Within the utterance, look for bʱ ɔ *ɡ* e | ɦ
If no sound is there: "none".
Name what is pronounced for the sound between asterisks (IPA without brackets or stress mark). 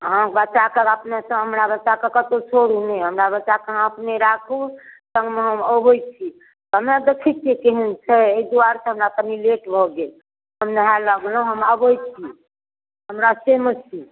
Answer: ɡ